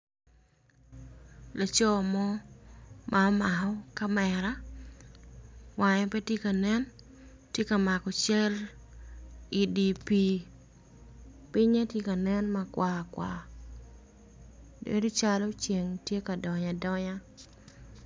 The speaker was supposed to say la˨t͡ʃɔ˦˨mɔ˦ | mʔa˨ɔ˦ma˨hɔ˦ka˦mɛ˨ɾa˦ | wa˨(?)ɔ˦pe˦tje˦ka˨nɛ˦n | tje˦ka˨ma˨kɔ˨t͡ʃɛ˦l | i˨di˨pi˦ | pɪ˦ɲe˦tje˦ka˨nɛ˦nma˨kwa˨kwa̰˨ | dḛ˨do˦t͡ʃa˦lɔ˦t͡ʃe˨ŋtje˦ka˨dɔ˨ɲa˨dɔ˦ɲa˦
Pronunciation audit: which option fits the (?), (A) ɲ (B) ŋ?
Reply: A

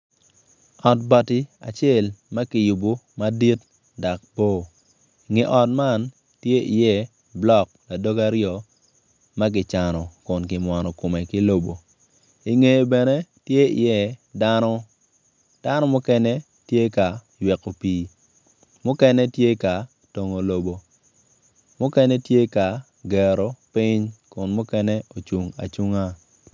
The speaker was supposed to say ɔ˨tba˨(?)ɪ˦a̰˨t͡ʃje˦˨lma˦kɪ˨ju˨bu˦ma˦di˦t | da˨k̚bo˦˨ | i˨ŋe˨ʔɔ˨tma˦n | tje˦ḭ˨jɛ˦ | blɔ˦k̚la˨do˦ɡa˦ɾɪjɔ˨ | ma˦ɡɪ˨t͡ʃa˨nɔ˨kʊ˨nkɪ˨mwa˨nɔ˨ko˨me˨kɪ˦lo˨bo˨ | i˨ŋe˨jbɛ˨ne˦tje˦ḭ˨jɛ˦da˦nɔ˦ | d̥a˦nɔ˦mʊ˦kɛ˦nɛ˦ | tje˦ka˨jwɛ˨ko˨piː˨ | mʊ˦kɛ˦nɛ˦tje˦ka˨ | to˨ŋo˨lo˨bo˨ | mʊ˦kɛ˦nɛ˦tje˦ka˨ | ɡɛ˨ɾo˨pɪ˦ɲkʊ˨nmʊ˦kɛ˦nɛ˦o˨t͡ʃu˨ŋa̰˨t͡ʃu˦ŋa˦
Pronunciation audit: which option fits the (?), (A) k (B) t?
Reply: B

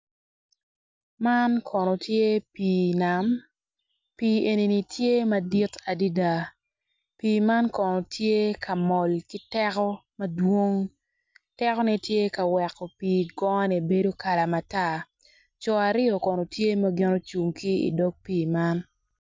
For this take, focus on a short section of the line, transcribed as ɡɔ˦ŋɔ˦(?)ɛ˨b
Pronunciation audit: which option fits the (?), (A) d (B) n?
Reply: B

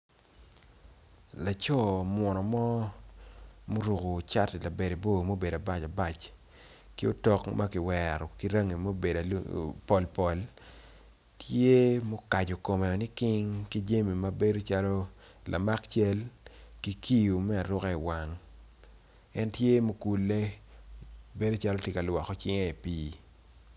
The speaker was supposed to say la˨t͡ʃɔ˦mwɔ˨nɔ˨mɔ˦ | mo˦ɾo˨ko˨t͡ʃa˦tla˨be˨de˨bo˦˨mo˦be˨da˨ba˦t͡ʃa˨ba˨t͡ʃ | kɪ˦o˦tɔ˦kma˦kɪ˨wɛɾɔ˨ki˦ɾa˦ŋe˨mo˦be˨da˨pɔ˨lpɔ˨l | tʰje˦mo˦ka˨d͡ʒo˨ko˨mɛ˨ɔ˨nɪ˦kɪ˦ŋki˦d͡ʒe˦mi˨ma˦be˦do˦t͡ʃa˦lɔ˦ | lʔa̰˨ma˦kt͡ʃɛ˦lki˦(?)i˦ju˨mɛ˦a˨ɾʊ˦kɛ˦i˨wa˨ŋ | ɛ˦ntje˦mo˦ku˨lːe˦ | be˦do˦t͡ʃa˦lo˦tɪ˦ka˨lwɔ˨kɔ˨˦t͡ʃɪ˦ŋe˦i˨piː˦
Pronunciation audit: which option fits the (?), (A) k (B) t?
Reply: A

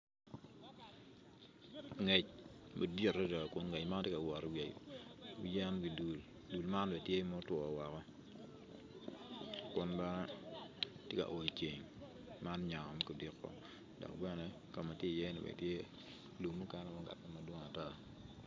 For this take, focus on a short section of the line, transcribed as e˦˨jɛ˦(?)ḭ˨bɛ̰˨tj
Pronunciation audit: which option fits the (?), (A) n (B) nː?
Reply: A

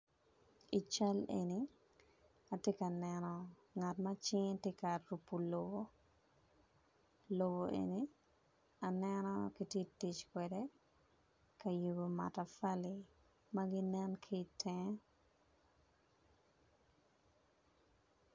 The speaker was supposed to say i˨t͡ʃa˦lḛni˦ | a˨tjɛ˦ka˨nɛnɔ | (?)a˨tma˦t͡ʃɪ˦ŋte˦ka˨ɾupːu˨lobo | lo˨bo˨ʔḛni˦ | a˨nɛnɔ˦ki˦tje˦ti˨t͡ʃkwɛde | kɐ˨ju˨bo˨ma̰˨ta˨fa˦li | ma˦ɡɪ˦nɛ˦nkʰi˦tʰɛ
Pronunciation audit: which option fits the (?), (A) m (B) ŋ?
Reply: B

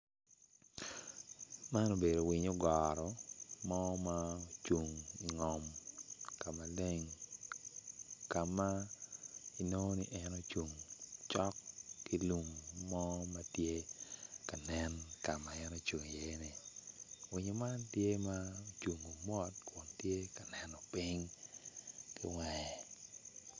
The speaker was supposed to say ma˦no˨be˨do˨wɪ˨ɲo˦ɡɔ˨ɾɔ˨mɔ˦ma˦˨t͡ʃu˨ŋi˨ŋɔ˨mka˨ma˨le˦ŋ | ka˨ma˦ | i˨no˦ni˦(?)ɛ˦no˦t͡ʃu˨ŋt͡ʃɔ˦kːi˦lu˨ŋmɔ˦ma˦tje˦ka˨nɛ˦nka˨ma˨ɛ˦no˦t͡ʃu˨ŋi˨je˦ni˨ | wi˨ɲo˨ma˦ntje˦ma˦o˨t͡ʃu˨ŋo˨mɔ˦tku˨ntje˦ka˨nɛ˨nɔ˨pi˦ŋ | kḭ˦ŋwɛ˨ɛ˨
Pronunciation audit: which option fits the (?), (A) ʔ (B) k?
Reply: A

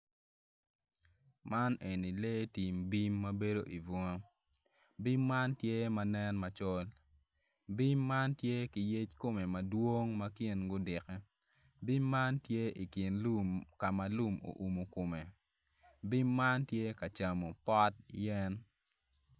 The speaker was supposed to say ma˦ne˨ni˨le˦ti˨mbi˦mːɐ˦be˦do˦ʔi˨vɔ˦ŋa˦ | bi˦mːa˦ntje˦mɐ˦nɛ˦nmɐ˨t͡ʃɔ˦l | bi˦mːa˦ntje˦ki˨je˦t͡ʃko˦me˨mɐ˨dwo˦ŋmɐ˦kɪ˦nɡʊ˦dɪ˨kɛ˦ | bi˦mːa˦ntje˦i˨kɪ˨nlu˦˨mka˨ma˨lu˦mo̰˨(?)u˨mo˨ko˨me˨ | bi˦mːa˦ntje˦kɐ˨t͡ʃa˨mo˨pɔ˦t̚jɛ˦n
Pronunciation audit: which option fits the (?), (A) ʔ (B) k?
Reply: A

